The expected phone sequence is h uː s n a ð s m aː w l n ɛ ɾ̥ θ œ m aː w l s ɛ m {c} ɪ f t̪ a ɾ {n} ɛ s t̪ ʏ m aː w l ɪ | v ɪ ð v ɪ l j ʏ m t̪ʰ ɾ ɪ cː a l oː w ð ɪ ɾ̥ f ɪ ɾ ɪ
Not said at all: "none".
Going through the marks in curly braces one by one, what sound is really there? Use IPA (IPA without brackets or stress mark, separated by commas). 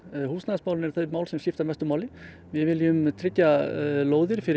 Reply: c, m